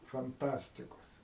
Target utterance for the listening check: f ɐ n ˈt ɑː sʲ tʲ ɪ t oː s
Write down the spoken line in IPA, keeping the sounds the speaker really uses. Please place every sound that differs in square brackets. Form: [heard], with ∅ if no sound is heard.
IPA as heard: f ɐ n ˈt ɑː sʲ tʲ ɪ [k] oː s